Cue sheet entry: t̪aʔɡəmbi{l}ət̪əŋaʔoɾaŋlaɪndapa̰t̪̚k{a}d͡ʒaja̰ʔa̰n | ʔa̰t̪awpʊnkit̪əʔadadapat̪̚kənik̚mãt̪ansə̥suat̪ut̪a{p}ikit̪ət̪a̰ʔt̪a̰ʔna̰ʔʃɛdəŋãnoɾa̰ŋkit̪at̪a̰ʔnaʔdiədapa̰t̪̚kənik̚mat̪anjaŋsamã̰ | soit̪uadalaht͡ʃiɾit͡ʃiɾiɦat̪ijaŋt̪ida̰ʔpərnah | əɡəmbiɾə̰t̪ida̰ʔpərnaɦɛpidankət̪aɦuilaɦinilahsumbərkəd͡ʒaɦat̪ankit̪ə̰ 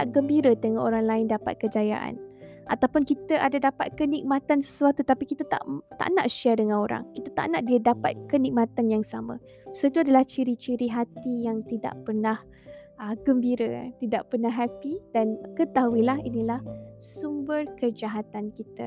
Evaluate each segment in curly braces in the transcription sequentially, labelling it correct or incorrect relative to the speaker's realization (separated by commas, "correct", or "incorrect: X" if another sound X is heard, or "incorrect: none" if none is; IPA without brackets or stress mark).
incorrect: ɾ, incorrect: ə, correct